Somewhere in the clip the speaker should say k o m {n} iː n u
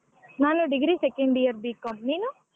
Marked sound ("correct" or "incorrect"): correct